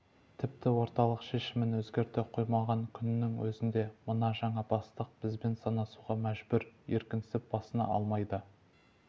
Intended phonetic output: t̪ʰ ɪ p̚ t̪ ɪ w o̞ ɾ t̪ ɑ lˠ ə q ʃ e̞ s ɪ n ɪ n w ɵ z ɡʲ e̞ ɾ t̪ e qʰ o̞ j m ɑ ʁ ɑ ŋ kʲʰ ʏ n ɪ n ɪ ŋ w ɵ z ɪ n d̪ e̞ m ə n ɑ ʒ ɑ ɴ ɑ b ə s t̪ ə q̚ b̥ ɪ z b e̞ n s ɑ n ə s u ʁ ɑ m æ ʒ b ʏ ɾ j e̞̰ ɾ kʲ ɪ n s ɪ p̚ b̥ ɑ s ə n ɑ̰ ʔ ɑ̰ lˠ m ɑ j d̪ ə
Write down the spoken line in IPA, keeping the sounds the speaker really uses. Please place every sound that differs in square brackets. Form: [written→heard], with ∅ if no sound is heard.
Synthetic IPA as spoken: t̪ʰ ɪ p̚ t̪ ɪ w o̞ ɾ t̪ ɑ lˠ ə q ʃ e̞ [s→ʃ] ɪ [n→m] ɪ n w ɵ z ɡʲ e̞ ɾ t̪ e qʰ o̞ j m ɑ ʁ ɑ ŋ kʲʰ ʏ n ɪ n ɪ ŋ w ɵ z ɪ n d̪ e̞ m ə n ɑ ʒ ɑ ɴ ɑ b [ə→ɑ] s t̪ ə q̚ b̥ ɪ z b e̞ n s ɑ n [ə→ɑ] s u ʁ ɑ m æ ʒ b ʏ ɾ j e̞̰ ɾ kʲ ɪ n s ɪ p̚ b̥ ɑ s ə n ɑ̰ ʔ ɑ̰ lˠ m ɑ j d̪ ə